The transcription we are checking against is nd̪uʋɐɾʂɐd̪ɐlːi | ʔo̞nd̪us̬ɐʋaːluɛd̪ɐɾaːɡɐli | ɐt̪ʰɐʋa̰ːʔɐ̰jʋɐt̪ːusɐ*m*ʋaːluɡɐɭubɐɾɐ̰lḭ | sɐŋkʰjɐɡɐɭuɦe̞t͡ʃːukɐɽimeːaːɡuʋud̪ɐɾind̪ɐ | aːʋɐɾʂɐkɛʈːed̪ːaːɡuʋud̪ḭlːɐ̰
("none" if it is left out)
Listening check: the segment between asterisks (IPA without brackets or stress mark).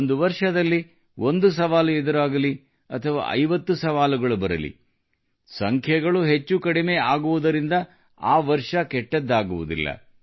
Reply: none